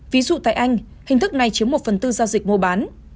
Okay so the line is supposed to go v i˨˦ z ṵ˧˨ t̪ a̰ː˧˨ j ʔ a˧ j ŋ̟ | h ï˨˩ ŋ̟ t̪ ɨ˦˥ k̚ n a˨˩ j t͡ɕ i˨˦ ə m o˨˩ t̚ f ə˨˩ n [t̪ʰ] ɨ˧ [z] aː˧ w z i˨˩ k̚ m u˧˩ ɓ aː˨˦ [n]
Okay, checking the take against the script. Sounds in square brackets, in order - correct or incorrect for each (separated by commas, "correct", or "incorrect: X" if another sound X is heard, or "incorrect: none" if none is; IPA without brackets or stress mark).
incorrect: t̪, correct, correct